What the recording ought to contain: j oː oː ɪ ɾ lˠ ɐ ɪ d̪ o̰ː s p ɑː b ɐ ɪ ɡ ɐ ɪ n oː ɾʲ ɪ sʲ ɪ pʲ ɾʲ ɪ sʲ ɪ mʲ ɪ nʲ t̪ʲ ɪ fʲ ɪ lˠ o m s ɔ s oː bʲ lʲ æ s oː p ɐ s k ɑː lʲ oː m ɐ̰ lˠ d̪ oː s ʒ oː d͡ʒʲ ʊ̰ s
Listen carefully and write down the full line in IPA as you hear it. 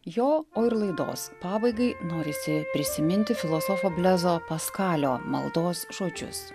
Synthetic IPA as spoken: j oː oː ɪ ɾ lˠ ɐ ɪ d̪ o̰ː s p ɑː b ɐ ɪ ɡ ɐ ɪ n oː ɾʲ ɪ sʲ ɪ pʲ ɾʲ ɪ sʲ ɪ mʲ ɪ nʲ t̪ʲ ɪ fʲ ɪ lˠ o s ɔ f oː bʲ lʲ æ z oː p ɐ s k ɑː lʲ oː m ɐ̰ lˠ d̪ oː s ʒ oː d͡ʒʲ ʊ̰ s

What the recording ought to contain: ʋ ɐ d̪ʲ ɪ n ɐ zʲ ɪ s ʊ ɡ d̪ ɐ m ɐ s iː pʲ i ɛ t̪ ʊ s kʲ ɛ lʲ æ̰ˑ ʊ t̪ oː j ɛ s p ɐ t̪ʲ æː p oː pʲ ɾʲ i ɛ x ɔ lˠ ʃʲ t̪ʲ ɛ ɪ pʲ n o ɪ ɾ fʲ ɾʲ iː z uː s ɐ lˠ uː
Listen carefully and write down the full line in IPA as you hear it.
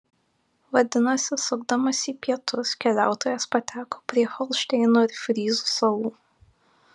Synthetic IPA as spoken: ʋ ɐ d̪ʲ ɪ n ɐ sʲ ɪ s ʊ ɡ d̪ ɐ m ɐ s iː pʲ i ɛ t̪ ʊ s kʲ ɛ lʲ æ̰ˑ ʊ t̪ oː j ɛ s p ɐ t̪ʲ æː k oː pʲ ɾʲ i ɛ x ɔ lˠ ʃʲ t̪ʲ ɛ ɪ n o ɪ ɾ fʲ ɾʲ iː z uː s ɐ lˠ uː

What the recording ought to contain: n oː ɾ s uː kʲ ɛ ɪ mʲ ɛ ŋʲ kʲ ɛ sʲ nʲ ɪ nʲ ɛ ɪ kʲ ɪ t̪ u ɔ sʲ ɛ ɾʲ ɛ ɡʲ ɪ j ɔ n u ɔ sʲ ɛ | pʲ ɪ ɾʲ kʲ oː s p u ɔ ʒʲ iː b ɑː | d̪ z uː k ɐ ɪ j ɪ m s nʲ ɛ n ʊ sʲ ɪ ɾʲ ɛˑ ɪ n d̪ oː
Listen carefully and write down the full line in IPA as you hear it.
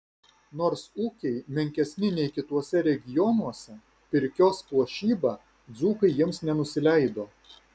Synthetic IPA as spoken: n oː ɾ s uː kʲ ɛ ɪ mʲ ɛ ŋʲ kʲ ɛ sʲ nʲ ɪ nʲ ɛ ɪ kʲ ɪ t̪ u ɔ sʲ ɛ ɾʲ ɛ ɡʲ ɪ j ɔ n u ɔ sʲ ɛ | pʲ ɪ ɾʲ kʲ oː s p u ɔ ʃʲ iː b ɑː | d̪ z uː k ɐ ɪ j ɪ m s nʲ ɛ n ʊ sʲ ɪ lʲ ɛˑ ɪ d̪ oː

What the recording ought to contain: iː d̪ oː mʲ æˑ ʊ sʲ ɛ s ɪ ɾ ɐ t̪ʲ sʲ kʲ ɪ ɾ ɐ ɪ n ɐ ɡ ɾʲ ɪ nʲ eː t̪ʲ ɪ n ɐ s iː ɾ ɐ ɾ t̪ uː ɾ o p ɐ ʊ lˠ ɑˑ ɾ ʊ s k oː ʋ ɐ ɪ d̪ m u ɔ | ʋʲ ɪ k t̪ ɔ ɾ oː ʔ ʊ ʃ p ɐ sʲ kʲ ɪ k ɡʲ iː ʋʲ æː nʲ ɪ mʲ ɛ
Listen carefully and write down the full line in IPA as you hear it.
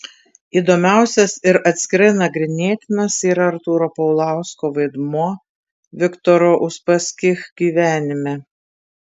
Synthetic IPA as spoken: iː d̪ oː mʲ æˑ ʊ sʲ ɛ s ɪ ɾ ɐ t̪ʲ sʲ kʲ ɪ ɾ ɐ ɪ n ɐ ɡ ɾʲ ɪ nʲ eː t̪ʲ ɪ n ɐ s iː ɾ ɐ ɾ t̪ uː ɾ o p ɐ ʊ lˠ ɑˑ ʊ s k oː ʋ ɐ ɪ d̪ m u ɔ | ʋʲ ɪ k t̪ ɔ ɾ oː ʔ ʊ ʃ p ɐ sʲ kʲ ɪ x ɡʲ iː ʋʲ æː nʲ ɪ mʲ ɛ

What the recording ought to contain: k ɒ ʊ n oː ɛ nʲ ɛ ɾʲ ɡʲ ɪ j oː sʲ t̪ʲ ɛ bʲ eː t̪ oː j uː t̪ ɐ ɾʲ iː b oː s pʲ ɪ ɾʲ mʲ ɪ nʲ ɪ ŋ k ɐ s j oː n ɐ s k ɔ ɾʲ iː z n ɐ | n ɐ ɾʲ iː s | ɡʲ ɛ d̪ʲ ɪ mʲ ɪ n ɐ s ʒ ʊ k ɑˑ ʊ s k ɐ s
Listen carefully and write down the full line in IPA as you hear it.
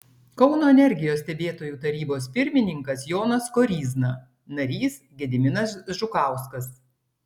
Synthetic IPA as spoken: k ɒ ʊ n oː ɛ nʲ ɛ ɾʲ ɡʲ ɪ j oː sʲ t̪ʲ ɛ bʲ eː t̪ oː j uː t̪ ɐ ɾʲ iː b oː s pʲ ɪ ɾʲ mʲ ɪ nʲ ɪ ŋ k ɐ s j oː n ɐ s k ɔ ɾʲ iː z n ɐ | n ɐ ɾʲ iː s | ɡʲ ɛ d̪ʲ ɪ mʲ ɪ n ɐ s ʒ ʊ k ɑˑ ʊ s k ɐ s

